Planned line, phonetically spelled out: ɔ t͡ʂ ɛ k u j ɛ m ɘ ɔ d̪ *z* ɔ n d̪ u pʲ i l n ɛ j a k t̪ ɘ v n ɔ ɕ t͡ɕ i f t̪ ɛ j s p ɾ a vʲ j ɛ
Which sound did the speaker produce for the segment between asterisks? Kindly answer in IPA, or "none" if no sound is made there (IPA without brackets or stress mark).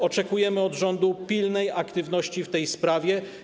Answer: ʐ